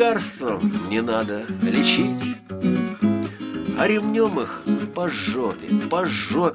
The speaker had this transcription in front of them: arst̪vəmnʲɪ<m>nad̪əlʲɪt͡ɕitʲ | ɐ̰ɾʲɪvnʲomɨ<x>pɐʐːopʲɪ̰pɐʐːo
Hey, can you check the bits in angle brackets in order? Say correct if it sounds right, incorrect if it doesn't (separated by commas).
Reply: incorrect, correct